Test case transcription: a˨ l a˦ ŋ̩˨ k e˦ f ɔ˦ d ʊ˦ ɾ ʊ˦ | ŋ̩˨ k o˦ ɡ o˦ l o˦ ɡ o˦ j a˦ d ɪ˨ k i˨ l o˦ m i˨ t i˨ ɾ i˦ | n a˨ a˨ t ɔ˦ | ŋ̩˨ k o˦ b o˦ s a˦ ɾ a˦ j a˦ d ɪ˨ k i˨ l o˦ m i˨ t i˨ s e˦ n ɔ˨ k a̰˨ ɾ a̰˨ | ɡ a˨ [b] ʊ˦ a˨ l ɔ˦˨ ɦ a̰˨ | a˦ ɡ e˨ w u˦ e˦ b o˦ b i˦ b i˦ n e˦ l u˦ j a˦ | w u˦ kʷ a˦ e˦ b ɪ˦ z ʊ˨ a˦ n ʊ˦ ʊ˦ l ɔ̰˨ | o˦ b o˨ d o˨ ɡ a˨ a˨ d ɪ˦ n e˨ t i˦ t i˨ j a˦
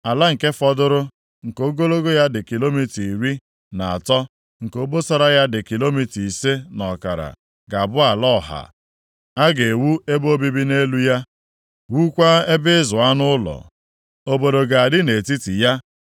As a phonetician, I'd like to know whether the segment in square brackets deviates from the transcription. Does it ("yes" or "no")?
no